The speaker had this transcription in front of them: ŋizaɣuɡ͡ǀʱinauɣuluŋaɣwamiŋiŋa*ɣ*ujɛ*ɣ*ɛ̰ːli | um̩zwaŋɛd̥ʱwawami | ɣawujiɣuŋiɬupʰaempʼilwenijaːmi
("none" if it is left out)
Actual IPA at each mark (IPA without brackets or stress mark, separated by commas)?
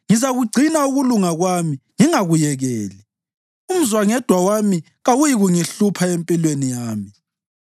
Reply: ɣ, ɣ